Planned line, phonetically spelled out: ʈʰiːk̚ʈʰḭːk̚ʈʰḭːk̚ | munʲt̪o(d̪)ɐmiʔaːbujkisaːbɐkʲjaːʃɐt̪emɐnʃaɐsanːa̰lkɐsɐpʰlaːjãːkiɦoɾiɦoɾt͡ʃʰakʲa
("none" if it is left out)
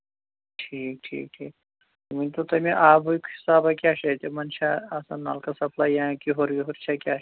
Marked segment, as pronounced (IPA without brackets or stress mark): t̪